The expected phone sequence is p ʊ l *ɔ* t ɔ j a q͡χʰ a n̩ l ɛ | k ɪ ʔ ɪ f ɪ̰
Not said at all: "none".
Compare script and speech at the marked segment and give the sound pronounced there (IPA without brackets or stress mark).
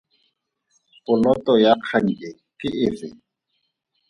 ɔ